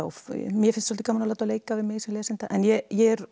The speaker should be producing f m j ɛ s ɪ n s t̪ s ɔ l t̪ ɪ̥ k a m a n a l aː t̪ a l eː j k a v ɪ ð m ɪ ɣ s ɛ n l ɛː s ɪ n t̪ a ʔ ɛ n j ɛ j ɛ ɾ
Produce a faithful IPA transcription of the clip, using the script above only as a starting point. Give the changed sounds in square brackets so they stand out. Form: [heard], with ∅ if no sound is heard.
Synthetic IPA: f m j ɛ [f] ɪ n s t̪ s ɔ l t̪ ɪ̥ k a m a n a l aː t̪ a l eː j k a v ɪ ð m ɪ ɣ s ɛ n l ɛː s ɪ n t̪ a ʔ ɛ n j ɛ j ɛ ɾ